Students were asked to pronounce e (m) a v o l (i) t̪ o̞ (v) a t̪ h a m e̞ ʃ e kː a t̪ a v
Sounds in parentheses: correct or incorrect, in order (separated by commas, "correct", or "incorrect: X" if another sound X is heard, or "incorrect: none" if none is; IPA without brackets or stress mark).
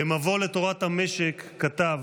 correct, incorrect: e, incorrect: ʁ